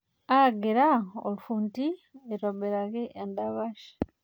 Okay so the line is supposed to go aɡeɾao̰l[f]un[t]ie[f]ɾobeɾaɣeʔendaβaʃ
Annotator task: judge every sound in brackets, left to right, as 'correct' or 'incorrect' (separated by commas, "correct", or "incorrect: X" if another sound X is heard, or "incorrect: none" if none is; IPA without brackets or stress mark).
correct, correct, incorrect: none